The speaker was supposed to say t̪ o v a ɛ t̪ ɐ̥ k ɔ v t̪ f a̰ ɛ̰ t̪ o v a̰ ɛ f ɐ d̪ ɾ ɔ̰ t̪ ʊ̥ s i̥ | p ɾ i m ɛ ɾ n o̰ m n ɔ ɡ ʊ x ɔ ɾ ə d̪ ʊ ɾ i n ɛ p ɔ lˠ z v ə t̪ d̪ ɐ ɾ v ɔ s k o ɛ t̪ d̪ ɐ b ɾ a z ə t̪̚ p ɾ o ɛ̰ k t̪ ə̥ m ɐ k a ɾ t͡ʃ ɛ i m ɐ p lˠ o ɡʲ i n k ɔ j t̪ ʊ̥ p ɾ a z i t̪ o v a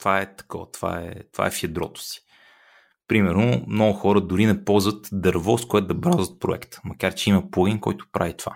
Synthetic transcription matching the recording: t̪ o v a ɛ t̪ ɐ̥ k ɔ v t̪ v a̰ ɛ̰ t̪ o v a̰ ɛ f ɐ d̪ ɾ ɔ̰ t̪ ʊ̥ s i̥ | p ɾ i m ɛ ɾ n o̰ m n ɔ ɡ ʊ x ɔ ɾ ə d̪ ʊ ɾ i n ɛ p ɔ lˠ z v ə t̪ d̪ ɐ ɾ v ɔ s k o ɛ t̪ d̪ ɐ b ɾ a z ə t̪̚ p ɾ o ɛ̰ k t̪ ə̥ m ɐ k a ɾ t͡ʃ ɛ i m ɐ p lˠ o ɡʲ i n k ɔ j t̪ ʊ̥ p ɾ a v i t̪ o v a